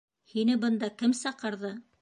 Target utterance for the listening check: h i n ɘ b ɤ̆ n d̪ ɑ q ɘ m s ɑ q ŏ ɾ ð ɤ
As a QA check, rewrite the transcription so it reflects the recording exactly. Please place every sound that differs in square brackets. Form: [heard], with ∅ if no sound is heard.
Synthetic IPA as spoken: h i n ɘ b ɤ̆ n d̪ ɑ [k] ɘ m s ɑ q [ɤ̆] ɾ ð ɤ